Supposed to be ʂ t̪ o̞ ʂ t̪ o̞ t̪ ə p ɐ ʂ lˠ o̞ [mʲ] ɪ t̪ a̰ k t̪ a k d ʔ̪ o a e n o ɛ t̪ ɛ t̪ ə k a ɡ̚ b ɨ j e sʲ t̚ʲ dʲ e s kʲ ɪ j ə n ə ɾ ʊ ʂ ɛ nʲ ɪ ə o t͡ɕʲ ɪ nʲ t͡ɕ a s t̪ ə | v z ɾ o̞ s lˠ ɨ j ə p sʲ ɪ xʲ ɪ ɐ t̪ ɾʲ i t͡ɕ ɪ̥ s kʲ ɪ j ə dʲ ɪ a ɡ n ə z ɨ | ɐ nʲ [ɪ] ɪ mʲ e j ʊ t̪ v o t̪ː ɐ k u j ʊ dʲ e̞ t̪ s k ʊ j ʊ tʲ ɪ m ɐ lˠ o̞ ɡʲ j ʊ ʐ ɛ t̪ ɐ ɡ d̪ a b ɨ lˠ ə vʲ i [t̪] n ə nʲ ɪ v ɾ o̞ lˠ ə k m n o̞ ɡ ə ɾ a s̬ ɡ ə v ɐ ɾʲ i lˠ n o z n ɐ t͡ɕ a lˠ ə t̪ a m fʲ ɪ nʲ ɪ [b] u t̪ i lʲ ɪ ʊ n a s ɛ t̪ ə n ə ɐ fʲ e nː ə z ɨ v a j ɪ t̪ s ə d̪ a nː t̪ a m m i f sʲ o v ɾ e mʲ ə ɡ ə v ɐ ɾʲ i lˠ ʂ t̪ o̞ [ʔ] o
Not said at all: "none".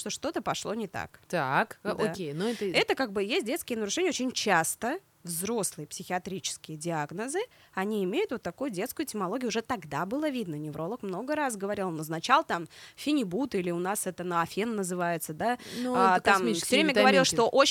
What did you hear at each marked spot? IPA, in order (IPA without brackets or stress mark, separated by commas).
nʲ, i, d̪, b, ʔ